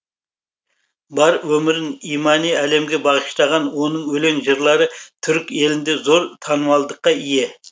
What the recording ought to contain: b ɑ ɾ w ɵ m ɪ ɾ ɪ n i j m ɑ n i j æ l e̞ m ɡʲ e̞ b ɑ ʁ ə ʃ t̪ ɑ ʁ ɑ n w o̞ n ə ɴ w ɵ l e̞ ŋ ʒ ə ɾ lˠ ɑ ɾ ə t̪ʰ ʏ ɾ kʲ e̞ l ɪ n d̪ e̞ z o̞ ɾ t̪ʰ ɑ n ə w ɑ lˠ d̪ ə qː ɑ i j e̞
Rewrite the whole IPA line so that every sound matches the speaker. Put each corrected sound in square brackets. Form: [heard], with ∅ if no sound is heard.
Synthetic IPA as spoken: b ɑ ɾ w ɵ m ɪ ɾ ɪ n i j m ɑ n i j æ l e̞ m ɡʲ e̞ b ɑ ʁ ə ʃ t̪ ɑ ʁ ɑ n w o̞ n ə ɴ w ɵ l e̞ ŋ ʒ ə ɾ lˠ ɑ ɾ ə t̪ʰ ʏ ɾ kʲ e̞ l ɪ n d̪ e̞ z o̞ ɾ t̪ʰ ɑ n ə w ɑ lˠ d̪ ə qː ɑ i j e̞